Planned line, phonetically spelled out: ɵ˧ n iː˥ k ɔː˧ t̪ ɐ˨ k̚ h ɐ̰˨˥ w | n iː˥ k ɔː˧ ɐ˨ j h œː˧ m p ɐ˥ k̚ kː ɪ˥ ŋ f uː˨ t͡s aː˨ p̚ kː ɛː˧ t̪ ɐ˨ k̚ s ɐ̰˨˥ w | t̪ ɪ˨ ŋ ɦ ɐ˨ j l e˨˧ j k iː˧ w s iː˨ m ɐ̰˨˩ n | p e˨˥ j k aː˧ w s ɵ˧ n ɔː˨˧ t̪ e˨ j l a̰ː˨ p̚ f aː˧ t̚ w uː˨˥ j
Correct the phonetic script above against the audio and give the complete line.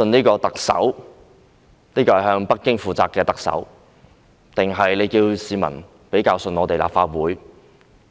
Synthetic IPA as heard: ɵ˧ n iː˥ k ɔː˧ t̪ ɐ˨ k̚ s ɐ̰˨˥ w | n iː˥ k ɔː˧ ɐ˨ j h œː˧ ŋ p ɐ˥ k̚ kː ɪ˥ ŋ f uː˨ t͡s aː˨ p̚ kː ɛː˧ t̪ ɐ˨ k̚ s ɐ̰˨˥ w | t̪ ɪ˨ ŋ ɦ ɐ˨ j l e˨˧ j k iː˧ w s iː˨ m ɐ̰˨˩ n | p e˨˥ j k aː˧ w s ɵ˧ n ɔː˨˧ t̪ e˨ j l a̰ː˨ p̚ f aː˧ t̚ w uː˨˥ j